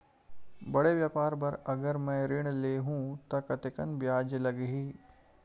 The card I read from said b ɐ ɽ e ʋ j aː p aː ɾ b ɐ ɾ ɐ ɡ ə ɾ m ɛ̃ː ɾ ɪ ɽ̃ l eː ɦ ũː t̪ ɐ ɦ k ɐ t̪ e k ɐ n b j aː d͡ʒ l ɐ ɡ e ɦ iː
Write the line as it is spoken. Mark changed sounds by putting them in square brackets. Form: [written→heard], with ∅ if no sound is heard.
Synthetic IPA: b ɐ ɽ e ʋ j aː p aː ɾ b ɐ ɾ ɐ ɡ ə ɾ m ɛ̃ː ɾ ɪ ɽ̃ l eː ɦ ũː t̪ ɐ [ɦ→∅] k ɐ t̪ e k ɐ n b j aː d͡ʒ l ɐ ɡ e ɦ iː